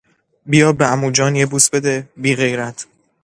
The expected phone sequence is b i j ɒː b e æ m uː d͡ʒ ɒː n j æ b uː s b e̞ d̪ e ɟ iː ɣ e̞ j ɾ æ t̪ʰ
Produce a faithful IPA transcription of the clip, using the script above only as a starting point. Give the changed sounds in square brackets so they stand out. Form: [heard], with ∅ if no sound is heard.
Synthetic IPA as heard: b i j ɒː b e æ m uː d͡ʒ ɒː n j [e] b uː s b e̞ d̪ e [b] iː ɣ e̞ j ɾ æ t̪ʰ